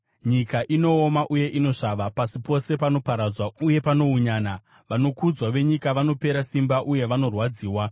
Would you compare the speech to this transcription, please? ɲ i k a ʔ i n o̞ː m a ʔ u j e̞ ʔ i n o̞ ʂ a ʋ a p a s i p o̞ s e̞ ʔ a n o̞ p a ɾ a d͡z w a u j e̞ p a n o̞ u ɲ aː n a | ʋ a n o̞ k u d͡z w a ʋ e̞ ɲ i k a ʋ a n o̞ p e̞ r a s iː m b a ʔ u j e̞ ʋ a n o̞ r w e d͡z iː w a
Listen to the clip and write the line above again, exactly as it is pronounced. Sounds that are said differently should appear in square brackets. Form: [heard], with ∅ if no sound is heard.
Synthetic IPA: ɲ i k a ʔ i n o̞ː m a ʔ u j e̞ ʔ i n o̞ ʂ a ʋ a p a s i p o̞ s e̞ [p] a n o̞ p a ɾ a d͡z w a u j e̞ p a n o̞ u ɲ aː n a | ʋ a n o̞ k u d͡z w a ʋ e̞ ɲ i k a ʋ a n o̞ p e̞ [ɾ] a s [i] m b a ʔ u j e̞ ʋ a n o̞ r w [a] d͡z iː w a